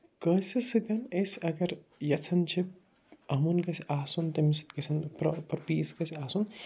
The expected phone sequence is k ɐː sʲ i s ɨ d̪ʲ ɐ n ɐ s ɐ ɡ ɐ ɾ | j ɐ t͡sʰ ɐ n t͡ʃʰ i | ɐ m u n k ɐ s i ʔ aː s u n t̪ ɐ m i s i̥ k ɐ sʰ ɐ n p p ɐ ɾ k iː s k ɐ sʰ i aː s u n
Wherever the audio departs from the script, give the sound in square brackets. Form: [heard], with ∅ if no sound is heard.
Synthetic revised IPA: k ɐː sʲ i s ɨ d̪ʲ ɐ n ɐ s ɐ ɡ ɐ ɾ | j ɐ t͡sʰ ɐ n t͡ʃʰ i | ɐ m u n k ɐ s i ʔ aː s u n t̪ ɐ m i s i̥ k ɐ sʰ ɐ n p p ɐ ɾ [p] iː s k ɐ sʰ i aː s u n